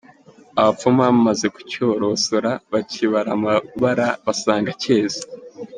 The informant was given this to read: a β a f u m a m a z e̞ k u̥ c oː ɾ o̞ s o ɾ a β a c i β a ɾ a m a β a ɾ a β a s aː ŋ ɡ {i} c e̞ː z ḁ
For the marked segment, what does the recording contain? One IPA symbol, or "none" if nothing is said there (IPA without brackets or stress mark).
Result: a